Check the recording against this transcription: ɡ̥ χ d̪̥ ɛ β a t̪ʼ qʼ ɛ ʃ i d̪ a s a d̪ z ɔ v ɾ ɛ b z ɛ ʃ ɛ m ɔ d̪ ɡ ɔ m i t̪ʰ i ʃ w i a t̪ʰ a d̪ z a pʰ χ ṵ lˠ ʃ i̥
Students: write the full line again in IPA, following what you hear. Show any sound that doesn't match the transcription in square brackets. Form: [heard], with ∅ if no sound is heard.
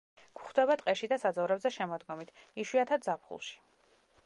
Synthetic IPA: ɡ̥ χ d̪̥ ɛ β a t̪ʼ qʼ ɛ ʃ i d̪ a s a d̪ z ɔ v ɾ ɛ b z ɛ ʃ ɛ m ɔ d̪ ɡ ɔ m i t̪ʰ i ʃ w i a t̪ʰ a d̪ z a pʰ χ ṵ lˠ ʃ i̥